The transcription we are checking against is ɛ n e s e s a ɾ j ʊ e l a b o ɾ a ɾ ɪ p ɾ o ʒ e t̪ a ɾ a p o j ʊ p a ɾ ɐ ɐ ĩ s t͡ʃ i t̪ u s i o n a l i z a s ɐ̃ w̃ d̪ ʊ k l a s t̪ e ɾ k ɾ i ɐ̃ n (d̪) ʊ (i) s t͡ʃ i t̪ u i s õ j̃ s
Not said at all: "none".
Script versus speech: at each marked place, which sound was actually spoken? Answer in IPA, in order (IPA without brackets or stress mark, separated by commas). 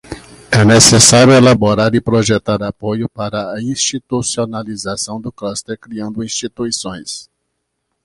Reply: d̪, ĩ